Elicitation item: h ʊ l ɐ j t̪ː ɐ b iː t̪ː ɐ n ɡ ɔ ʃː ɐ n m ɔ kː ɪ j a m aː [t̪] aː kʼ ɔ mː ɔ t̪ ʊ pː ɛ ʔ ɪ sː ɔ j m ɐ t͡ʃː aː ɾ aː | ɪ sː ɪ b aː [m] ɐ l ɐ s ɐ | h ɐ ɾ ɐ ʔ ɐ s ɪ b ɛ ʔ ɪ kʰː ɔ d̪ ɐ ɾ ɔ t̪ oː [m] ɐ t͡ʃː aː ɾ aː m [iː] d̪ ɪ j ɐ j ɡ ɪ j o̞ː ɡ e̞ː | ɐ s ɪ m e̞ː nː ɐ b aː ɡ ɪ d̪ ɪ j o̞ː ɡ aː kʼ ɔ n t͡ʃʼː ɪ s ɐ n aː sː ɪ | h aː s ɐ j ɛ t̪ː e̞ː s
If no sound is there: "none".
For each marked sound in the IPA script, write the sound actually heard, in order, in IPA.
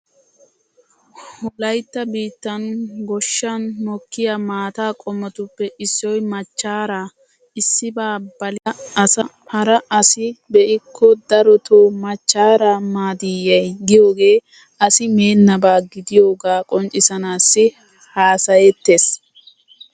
t̪, b, m, aː

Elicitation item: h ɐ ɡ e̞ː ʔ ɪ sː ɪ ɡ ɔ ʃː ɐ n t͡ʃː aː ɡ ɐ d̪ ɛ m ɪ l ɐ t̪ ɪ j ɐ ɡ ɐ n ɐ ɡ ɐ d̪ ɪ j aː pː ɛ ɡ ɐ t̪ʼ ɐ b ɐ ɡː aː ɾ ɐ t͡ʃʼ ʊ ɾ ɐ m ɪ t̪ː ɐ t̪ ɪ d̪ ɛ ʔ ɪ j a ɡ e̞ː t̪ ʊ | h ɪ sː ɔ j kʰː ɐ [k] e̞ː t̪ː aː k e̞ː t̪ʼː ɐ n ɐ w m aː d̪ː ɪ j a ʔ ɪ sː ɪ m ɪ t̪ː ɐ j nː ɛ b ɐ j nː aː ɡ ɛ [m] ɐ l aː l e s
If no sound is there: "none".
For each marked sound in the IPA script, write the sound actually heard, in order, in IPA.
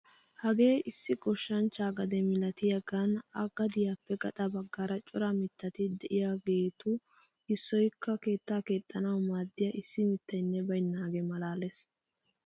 k, m

